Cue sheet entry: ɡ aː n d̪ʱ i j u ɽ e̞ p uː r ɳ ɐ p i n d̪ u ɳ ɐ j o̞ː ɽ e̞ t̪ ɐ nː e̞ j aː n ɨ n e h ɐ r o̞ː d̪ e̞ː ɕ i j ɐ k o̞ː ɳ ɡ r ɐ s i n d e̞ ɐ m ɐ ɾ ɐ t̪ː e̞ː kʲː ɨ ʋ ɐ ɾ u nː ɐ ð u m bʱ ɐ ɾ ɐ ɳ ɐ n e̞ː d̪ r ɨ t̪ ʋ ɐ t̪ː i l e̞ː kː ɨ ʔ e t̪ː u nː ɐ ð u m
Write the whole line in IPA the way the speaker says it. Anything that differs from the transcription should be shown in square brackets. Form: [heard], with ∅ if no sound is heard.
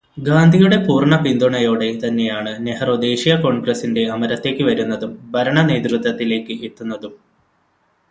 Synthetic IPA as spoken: ɡ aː n d̪ʱ i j u ɽ e̞ p uː r ɳ ɐ p i n d̪ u ɳ ɐ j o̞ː ɽ e̞ t̪ ɐ nː e̞ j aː [ɳ] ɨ n e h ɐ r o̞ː d̪ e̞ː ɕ i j ɐ k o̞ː ɳ ɡ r ɐ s i n d e̞ ɐ m ɐ ɾ ɐ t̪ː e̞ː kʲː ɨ ʋ ɐ ɾ u nː ɐ ð u m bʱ ɐ ɾ ɐ ɳ ɐ n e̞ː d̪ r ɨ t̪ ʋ ɐ t̪ː i l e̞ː kː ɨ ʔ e t̪ː u nː ɐ ð u m